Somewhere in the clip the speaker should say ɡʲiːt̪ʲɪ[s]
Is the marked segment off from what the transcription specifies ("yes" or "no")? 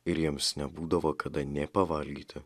yes